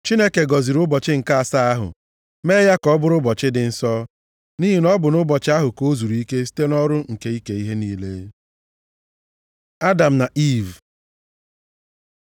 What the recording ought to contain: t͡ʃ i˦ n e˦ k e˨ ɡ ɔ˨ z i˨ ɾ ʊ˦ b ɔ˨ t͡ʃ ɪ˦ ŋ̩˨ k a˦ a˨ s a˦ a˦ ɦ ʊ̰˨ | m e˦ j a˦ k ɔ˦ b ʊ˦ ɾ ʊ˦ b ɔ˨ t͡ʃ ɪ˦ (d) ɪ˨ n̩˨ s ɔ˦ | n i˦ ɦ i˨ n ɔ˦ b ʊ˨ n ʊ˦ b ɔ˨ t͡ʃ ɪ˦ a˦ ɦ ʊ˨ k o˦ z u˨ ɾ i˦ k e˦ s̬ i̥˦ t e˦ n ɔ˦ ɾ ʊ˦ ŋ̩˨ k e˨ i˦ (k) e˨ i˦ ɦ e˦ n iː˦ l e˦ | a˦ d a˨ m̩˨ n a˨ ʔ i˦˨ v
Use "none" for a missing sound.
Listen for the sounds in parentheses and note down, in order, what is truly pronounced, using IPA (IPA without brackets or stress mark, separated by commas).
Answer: d, k